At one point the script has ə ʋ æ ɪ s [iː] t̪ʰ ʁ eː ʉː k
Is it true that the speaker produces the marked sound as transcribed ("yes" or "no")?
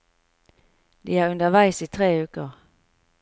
yes